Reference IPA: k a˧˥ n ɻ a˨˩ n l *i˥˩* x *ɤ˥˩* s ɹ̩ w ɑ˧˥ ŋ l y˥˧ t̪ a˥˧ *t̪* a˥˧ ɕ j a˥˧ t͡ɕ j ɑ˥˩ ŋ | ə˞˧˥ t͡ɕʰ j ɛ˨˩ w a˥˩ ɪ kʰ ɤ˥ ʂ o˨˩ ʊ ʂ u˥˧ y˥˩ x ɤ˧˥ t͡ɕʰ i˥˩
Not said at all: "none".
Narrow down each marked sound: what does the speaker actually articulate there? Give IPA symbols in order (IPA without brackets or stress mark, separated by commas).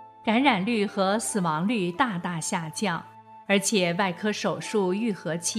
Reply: y˥˩, ɤ˧˥, t̪